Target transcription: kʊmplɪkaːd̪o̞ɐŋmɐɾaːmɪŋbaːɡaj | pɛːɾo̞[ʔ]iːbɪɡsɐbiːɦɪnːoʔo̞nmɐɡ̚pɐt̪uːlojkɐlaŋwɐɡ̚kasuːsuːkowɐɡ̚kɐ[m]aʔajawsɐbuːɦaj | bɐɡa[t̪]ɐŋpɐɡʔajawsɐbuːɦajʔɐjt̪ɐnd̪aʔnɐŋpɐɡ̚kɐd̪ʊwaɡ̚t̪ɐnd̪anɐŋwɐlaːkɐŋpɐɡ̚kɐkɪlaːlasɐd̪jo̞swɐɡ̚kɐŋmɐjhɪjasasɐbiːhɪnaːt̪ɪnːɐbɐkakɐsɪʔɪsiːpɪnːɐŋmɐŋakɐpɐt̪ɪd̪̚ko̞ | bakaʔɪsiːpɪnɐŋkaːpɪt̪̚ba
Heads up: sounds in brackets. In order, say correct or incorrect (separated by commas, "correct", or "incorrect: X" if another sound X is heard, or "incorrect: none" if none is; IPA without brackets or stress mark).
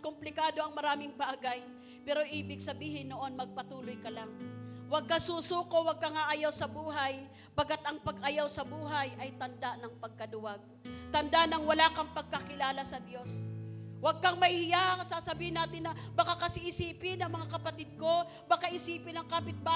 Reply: correct, incorrect: ŋ, correct